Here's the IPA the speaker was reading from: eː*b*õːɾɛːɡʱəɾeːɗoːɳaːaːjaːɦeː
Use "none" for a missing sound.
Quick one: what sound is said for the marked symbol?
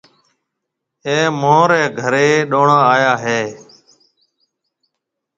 m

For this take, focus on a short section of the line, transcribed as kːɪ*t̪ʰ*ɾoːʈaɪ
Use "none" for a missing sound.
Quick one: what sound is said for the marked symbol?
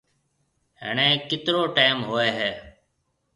t̪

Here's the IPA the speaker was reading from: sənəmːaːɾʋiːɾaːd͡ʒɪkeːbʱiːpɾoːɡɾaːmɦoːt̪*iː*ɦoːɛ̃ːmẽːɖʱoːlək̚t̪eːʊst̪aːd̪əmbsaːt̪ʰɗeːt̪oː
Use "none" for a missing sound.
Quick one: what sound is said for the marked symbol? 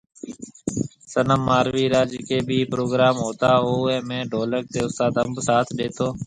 aː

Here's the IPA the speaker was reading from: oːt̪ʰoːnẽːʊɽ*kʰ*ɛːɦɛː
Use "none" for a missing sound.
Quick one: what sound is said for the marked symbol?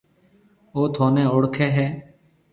kʰ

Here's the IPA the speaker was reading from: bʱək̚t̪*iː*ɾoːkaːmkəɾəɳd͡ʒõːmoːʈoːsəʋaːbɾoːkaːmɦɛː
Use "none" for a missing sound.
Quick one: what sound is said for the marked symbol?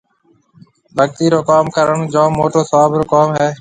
iː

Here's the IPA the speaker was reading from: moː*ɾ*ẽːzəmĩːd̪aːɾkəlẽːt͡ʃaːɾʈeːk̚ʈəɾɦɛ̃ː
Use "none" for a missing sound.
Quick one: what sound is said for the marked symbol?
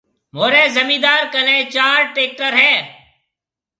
ɾ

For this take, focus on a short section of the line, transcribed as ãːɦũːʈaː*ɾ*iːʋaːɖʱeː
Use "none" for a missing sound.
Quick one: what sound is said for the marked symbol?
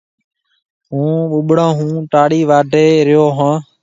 ɽ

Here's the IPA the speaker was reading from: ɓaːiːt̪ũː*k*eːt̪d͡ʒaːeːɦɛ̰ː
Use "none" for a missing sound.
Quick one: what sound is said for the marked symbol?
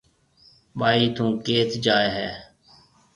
k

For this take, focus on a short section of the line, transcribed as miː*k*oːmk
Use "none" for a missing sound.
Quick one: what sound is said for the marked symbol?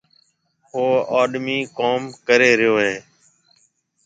k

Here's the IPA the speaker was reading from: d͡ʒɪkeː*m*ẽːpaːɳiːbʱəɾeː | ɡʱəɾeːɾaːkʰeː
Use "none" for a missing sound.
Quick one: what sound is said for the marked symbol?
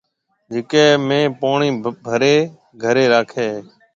m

